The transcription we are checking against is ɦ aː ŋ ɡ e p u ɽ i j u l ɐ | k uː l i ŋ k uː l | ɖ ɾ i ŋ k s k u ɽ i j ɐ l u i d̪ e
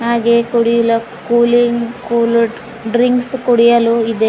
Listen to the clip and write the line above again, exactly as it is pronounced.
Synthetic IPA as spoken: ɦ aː ɡ e k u ɽ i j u l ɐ | k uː l i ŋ k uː l | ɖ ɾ i ŋ k s k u ɽ i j ɐ l u i d̪ e

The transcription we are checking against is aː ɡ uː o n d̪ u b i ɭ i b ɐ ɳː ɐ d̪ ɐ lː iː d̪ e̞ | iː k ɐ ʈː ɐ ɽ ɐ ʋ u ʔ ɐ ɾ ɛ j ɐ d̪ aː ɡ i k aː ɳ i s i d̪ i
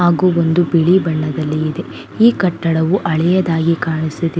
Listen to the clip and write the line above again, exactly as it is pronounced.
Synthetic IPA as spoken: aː ɡ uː o n d̪ u b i ɭ i b ɐ ɳː ɐ d̪ ɐ lː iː d̪ e̞ | iː k ɐ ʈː ɐ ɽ ɐ ʋ u ʔ ɐ ɭ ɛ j ɐ d̪ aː ɡ i k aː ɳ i s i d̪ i

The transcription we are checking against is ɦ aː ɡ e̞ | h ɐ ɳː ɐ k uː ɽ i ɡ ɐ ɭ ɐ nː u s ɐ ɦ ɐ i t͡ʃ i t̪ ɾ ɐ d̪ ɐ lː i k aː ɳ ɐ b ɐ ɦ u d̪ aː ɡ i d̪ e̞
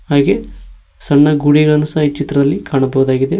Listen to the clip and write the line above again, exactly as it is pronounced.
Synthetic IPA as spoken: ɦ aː ɡ e̞ | s ɐ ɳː ɐ ɡ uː ɽ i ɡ ɐ ɭ ɐ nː u s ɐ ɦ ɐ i t͡ʃ i t̪ ɾ ɐ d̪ ɐ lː i k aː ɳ ɐ b ɐ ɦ u d̪ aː ɡ i d̪ e̞

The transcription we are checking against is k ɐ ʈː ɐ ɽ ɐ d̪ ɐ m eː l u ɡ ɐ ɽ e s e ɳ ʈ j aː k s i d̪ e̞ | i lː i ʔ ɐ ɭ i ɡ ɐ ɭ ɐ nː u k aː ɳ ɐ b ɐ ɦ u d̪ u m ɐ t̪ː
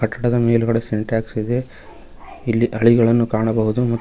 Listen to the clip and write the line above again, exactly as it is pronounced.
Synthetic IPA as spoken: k ɐ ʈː ɐ ɽ ɐ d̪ ɐ m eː l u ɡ ɐ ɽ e s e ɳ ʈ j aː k s i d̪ e̞ | i lː i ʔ ɐ ɭ i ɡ ɐ ɭ ɐ nː u k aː ɳ ɐ b ɐ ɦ u d̪ u m ɐ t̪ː

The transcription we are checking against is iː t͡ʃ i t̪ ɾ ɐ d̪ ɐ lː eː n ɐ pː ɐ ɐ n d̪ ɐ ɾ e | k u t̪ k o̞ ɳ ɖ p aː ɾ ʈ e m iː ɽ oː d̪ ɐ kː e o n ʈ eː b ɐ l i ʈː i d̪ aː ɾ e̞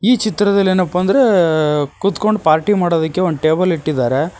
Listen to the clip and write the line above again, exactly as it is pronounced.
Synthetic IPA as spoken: iː t͡ʃ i t̪ ɾ ɐ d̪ ɐ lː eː n ɐ pː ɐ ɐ n d̪ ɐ ɾ e | k u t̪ k o̞ ɳ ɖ p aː ɾ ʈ i m aː ɽ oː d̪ ɐ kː e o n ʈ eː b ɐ l i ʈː i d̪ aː ɾ e̞

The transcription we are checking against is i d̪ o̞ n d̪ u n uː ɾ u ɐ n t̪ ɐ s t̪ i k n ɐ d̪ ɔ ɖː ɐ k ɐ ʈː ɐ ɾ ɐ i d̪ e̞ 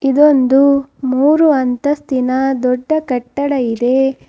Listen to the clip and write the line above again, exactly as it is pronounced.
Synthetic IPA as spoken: i d̪ o̞ n d̪ u m uː ɾ u ɐ n t̪ ɐ s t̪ i n ɐ d̪ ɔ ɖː ɐ k ɐ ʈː ɐ ɽ ɐ i d̪ e̞

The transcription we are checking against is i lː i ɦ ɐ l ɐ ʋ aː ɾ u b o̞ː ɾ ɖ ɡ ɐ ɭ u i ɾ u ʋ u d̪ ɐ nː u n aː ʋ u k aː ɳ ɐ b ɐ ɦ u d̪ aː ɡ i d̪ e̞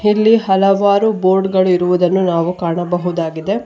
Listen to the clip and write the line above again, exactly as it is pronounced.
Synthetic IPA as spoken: i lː i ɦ ɐ l ɐ ʋ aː ɾ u b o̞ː ɾ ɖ ɡ ɐ ɭ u i ɾ u ʋ u d̪ ɐ nː u n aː ʋ u k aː ɳ ɐ b ɐ ɦ u d̪ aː ɡ i d̪ e̞

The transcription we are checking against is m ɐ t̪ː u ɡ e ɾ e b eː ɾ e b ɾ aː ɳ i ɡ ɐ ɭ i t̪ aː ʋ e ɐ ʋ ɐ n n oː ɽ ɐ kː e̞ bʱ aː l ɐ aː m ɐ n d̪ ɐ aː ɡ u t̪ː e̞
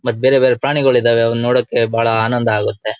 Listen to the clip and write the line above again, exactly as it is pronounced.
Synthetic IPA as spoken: m ɐ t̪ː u b e ɾ e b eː ɾ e p ɾ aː ɳ i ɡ ɐ ɭ i d̪ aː ʋ e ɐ ʋ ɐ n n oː ɽ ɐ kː e̞ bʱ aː ɭ ɐ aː n ɐ n d̪ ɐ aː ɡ u t̪ː e̞

